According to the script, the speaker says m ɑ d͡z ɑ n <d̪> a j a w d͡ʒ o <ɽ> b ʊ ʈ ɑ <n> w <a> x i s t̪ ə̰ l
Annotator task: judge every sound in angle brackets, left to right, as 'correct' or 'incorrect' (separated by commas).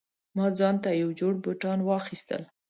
incorrect, correct, correct, incorrect